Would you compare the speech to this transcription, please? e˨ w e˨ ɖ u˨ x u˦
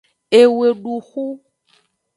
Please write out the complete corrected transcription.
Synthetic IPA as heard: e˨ w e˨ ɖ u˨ x u˦